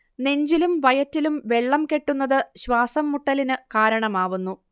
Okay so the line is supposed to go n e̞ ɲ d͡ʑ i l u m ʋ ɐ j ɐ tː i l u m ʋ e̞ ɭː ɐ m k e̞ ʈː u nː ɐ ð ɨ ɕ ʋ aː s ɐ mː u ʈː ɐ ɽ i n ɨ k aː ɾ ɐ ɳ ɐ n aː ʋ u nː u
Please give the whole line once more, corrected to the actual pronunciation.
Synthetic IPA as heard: n e̞ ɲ d͡ʑ i l u m ʋ ɐ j ɐ tː i l u m ʋ e̞ ɭː ɐ m k e̞ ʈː u nː ɐ ð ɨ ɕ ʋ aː s ɐ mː u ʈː ɐ l i n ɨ k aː ɾ ɐ ɳ ɐ m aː ʋ u nː u